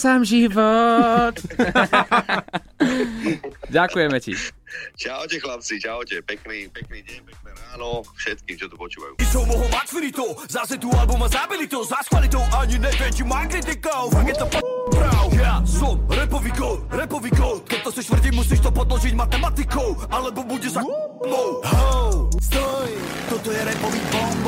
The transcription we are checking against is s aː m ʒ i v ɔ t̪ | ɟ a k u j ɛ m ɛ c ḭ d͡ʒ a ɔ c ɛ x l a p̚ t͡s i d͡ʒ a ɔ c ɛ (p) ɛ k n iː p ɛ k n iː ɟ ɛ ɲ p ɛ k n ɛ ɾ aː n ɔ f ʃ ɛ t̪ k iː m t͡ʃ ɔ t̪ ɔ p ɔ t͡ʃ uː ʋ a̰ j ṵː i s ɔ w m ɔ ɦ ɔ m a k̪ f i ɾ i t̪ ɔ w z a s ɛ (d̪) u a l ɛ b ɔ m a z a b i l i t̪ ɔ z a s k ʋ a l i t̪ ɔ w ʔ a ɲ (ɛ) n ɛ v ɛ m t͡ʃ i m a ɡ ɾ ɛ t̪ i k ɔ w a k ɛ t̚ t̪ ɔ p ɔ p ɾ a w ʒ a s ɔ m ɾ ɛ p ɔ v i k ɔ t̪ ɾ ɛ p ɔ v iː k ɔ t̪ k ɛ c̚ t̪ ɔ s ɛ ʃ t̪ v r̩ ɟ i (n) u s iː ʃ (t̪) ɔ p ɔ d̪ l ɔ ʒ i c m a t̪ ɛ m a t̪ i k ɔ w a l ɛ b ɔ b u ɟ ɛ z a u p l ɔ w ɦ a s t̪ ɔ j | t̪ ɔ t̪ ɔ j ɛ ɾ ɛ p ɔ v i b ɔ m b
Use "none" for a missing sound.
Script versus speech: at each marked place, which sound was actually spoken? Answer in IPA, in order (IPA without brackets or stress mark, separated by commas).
p, t̪, i, m, t̪